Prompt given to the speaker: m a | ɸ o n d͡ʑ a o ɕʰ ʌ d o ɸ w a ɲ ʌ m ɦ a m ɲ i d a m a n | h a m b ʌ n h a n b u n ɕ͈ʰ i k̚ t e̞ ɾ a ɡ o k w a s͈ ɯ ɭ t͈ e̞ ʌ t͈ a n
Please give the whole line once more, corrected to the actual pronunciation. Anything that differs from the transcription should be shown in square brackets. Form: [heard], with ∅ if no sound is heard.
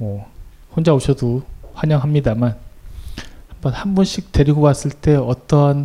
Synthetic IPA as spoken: m [ʌ] | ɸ o n d͡ʑ a o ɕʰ ʌ d o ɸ w a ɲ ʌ [ŋ] ɦ a m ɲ i d a m a n | h a m b ʌ n h a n b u n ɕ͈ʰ i k̚ t e̞ ɾ [i] ɡ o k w a s͈ ɯ ɭ t͈ e̞ ʌ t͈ [ʌ] n